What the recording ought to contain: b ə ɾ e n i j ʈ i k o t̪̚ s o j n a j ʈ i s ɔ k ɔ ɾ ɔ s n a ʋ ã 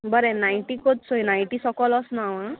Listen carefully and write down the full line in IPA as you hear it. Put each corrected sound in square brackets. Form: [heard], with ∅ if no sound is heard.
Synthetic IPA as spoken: b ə ɾ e n [a] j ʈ i k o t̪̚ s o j n a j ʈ i s ɔ k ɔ [l] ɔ s n a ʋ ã